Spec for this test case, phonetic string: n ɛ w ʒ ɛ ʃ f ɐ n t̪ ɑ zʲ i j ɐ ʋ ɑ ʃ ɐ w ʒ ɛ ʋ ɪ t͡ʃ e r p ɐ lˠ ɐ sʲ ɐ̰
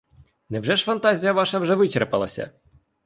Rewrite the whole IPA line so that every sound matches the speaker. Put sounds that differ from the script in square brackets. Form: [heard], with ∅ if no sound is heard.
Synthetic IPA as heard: n ɛ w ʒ ɛ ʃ f ɐ n t̪ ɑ zʲ i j ɐ ʋ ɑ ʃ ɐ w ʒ ɛ ʋ ɪ t͡ʃ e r p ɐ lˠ ɐ sʲ ɐ̰

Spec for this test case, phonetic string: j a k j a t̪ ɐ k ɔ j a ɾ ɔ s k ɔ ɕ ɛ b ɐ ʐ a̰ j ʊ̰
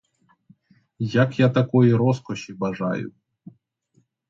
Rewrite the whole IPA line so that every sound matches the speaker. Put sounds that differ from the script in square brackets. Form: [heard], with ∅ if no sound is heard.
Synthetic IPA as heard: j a k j a t̪ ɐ k ɔ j [i] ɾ ɔ s k ɔ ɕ [i] b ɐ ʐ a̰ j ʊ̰

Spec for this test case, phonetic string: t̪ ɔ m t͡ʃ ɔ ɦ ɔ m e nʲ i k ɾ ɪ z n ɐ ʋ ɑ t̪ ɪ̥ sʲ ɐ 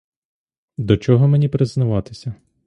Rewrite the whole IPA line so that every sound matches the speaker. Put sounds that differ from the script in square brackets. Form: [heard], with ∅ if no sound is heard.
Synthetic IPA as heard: [d̪] ɔ [∅] t͡ʃ ɔ ɦ ɔ m e nʲ i [p] ɾ ɪ z n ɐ ʋ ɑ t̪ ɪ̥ sʲ ɐ

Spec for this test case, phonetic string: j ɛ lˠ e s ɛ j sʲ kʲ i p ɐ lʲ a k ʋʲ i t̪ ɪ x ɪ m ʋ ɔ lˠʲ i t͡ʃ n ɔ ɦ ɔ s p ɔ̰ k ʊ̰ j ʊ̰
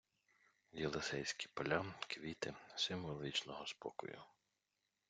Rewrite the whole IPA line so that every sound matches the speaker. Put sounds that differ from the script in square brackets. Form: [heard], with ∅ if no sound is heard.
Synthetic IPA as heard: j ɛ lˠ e s ɛ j sʲ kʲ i p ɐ lʲ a k ʋʲ i t̪ ɪ [s] ɪ m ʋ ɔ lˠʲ i t͡ʃ n ɔ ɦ ɔ s p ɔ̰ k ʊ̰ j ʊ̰

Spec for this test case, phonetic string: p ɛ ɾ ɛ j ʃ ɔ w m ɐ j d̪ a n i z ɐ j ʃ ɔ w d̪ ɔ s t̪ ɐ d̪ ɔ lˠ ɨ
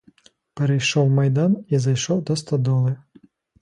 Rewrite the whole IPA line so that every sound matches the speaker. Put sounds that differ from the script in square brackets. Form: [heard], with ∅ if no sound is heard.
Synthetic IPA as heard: p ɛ ɾ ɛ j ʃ ɔ w m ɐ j d̪ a n i z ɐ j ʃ ɔ w d̪ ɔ s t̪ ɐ d̪ ɔ lˠ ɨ

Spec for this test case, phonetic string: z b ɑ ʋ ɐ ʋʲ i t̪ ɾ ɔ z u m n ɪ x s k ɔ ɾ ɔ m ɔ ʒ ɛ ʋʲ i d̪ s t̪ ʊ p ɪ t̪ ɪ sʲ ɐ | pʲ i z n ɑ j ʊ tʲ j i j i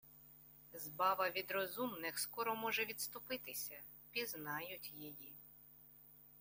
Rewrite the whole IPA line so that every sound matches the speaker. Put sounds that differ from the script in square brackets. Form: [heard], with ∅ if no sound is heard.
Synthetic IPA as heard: z b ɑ ʋ ɐ ʋʲ i [d̪] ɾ ɔ z u m n ɪ x s k ɔ ɾ ɔ m ɔ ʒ ɛ ʋʲ i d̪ s t̪ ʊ p ɪ t̪ ɪ sʲ ɐ | pʲ i z n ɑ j ʊ tʲ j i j i

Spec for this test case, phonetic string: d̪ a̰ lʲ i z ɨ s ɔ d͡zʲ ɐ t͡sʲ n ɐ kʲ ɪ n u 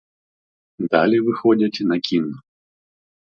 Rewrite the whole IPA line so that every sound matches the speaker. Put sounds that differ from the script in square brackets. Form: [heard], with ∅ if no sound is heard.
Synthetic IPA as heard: d̪ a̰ lʲ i [v] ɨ [x] ɔ d͡zʲ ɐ t͡sʲ n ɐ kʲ [i] n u

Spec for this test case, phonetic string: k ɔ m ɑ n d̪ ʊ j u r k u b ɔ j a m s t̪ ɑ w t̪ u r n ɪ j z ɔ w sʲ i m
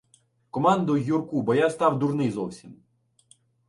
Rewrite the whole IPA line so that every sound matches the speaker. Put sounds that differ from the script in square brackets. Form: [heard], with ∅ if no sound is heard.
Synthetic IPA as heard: k ɔ m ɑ n d̪ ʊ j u r k u b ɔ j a [∅] s t̪ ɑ w [d̪] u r n ɪ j z ɔ w sʲ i m

